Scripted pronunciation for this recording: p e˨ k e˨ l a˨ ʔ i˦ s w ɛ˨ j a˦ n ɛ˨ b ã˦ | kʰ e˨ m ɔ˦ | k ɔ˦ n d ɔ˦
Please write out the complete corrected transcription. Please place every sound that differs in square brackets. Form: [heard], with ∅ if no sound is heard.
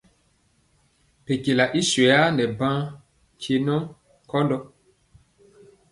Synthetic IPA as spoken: p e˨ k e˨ l a˨ ʔ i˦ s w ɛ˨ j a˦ n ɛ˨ b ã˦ | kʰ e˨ [n] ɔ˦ | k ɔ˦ n d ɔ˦